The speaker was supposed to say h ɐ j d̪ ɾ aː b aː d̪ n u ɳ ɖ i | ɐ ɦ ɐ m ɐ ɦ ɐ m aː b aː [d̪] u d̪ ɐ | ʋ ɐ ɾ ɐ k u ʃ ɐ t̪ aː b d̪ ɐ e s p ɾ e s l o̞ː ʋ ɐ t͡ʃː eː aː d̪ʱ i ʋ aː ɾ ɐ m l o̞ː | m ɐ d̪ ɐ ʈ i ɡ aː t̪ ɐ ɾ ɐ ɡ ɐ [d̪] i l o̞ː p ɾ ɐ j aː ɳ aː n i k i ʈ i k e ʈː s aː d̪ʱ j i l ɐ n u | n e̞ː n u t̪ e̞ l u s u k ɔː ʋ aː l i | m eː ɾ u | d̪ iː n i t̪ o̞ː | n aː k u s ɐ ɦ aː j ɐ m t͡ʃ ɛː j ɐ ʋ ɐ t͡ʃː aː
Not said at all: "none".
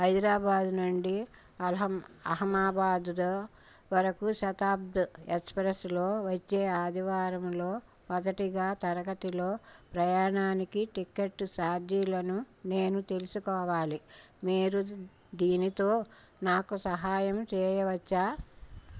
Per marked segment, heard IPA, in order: d̪, t̪

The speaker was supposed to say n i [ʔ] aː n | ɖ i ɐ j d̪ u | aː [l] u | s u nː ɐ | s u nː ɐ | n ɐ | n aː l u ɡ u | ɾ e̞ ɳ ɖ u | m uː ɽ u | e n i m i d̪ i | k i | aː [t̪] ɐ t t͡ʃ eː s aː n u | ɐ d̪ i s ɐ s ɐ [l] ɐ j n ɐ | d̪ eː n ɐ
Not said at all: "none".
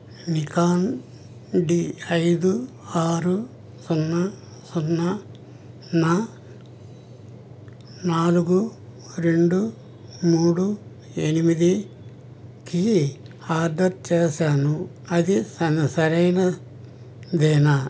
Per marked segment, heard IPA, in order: k, ɾ, d̪, ɾ

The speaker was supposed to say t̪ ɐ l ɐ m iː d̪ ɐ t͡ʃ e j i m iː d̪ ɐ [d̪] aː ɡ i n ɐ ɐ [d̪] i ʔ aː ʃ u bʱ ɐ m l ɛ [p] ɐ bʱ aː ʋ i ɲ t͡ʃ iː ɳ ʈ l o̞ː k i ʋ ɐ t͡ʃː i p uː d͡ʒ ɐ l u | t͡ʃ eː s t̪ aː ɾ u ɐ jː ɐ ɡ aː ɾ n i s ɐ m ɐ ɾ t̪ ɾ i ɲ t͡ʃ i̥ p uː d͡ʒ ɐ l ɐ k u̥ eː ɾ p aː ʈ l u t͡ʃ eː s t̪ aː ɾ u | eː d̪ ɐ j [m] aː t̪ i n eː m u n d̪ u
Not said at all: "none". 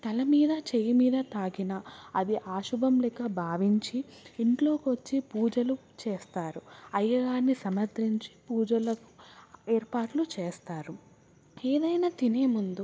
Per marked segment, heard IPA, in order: t̪, d̪, k, n

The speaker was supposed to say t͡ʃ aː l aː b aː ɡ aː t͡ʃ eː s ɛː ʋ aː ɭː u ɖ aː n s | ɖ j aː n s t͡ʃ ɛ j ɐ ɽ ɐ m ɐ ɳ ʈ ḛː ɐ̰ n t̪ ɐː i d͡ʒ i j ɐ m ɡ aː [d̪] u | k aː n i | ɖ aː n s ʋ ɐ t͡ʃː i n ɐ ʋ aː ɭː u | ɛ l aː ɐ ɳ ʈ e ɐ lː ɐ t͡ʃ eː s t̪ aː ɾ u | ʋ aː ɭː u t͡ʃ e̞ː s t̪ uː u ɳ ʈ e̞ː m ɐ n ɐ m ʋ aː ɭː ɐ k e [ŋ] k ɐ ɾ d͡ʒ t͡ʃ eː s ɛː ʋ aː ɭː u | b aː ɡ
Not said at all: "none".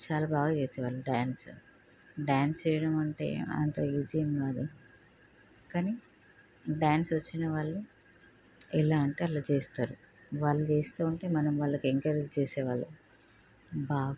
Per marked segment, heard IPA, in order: d̪, ŋ

